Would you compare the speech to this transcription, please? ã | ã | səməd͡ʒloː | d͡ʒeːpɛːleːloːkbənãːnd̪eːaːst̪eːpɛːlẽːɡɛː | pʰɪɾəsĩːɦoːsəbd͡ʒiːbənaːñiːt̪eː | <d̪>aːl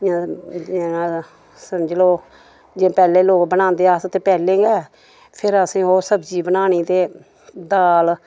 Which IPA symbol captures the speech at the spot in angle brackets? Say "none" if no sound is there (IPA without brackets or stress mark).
d̪